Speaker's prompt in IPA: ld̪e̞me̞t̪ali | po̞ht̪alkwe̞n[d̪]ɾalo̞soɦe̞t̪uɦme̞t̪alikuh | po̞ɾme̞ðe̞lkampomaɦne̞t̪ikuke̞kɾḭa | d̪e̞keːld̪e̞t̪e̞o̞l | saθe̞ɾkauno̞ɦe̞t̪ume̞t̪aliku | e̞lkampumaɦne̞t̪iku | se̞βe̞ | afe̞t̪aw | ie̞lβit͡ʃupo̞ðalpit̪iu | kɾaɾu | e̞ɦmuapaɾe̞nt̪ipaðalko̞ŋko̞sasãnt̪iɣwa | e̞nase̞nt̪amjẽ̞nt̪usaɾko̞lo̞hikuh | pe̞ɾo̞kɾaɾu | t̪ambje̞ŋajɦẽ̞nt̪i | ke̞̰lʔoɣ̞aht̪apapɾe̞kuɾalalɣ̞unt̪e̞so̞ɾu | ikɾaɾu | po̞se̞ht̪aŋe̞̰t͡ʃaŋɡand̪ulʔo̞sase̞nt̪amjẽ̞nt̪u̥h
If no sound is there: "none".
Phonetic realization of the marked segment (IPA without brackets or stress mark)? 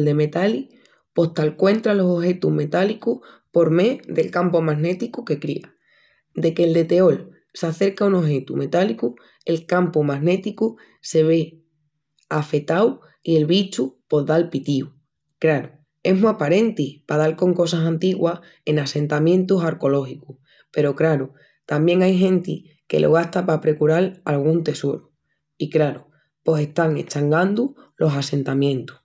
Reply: t̪